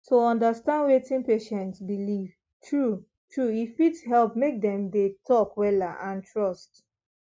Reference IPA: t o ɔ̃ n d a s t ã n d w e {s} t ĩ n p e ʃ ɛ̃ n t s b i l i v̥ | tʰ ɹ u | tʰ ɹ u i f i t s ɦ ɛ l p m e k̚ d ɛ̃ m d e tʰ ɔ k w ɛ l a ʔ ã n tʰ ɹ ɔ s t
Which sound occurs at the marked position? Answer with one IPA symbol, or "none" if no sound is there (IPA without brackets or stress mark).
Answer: none